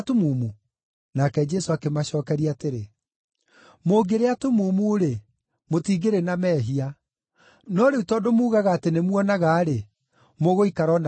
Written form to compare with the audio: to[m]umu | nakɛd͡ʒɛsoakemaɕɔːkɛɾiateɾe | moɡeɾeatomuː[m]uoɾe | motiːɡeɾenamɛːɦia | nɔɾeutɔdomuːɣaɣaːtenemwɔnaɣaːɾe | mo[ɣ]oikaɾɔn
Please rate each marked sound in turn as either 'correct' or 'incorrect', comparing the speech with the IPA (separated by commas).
correct, correct, correct